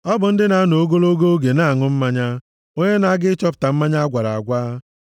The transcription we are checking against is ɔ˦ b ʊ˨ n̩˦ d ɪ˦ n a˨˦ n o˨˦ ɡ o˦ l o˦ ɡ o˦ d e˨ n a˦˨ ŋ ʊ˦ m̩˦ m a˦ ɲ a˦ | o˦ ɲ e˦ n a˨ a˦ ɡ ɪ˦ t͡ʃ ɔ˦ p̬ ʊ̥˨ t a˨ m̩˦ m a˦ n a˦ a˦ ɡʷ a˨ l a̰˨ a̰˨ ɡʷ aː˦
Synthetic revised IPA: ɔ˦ b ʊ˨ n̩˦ d ɪ˦ n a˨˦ n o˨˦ ɡ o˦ l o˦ ɡ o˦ ɡ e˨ n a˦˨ ŋ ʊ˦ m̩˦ m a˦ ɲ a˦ | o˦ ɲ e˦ n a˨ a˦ ɡ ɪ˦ t͡ʃ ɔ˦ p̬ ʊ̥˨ t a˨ m̩˦ m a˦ ɲ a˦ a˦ ɡʷ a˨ ɾ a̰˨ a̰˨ ɡʷ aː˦